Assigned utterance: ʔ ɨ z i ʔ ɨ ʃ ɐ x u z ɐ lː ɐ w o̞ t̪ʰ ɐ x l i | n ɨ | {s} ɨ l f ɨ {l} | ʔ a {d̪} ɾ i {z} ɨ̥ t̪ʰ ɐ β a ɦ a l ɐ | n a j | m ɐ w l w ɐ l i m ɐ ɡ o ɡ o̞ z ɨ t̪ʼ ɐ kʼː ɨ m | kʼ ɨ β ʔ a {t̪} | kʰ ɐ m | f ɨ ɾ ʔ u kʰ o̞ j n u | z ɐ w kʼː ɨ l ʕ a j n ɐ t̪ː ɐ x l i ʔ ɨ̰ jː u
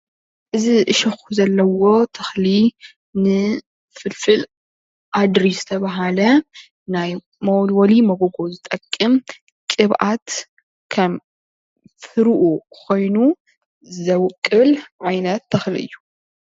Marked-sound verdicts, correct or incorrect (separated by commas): incorrect, correct, correct, incorrect, correct